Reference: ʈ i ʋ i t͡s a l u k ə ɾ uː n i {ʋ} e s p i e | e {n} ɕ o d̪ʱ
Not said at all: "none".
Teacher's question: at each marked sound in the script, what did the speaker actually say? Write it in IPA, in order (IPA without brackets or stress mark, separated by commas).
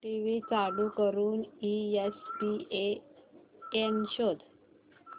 none, n